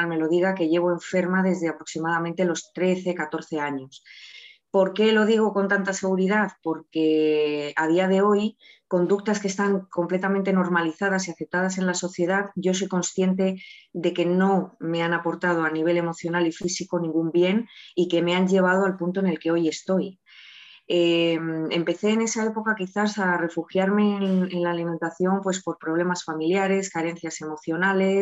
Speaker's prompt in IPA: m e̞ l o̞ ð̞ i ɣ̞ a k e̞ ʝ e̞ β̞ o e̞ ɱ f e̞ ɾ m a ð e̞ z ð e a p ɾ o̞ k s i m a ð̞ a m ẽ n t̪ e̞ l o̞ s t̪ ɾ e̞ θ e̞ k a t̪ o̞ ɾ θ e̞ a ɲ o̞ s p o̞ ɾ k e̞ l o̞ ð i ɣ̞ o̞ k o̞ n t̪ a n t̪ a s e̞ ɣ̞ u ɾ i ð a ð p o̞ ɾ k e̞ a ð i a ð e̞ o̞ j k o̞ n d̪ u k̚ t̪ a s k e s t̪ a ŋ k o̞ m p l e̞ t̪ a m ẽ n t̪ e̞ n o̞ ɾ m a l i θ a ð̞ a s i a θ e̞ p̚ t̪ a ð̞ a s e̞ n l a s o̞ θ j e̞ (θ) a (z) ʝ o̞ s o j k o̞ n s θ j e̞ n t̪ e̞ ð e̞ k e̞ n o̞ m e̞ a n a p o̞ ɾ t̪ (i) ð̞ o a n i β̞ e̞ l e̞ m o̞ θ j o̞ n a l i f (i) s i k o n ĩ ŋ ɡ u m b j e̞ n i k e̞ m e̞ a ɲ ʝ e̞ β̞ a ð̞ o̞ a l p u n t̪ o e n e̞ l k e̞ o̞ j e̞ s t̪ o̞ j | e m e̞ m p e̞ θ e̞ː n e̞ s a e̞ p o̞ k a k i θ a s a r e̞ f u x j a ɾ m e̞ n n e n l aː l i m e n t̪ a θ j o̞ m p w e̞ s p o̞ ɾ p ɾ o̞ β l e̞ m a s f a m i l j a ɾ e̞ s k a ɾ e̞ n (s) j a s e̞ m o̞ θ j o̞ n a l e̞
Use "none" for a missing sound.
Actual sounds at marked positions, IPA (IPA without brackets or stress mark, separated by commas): ð, ð, a, i, θ